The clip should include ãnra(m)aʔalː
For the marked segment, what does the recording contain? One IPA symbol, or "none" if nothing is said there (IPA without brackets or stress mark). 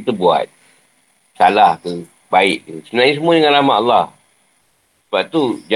m